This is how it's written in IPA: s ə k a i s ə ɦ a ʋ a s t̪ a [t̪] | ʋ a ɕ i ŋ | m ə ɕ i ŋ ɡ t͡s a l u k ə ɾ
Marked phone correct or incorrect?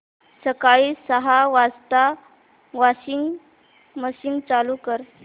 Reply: incorrect